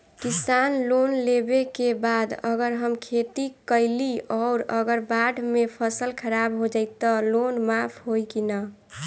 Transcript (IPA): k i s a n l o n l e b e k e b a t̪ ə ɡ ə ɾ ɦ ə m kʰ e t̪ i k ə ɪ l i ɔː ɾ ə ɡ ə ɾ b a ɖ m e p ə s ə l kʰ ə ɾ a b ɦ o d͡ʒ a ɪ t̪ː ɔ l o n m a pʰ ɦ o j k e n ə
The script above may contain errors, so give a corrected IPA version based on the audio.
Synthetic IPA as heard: k i s a n l o n l e b e k e b a d̪ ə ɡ ə ɾ ɦ ə m kʰ e t̪ i k ə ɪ l i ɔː ɾ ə ɡ ə ɾ b a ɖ m e pʰ ə s ə l kʰ ə ɾ a b ɦ o d͡ʒ a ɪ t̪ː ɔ l o n m a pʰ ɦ o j k i n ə